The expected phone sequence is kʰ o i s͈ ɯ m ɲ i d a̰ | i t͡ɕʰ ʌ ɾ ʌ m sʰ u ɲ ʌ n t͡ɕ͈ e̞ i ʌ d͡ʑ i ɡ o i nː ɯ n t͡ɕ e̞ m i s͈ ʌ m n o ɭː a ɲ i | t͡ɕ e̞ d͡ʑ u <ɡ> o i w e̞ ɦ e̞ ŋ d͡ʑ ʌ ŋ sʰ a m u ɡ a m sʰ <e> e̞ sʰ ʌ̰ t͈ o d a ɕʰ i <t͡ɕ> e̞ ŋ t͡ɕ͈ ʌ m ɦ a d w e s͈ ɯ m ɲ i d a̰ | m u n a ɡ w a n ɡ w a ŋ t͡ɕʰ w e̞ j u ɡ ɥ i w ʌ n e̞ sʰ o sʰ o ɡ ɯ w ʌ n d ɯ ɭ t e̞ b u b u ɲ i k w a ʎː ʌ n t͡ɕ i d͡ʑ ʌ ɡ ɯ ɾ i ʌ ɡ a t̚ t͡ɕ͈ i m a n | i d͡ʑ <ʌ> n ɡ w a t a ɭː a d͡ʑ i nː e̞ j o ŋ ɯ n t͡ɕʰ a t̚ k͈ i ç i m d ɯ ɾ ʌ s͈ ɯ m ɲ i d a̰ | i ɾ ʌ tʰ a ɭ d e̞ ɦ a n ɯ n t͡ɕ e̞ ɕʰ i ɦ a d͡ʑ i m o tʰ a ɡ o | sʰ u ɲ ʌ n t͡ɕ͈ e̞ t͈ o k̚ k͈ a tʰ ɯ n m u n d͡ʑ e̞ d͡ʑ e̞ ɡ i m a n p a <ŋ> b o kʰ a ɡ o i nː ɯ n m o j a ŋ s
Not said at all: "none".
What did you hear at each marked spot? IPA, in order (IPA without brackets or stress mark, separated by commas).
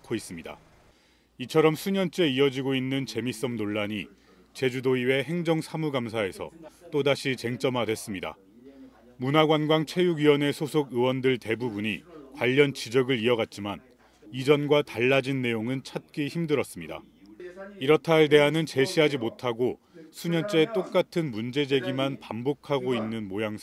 d, a, t͡ɕ, ʌ, m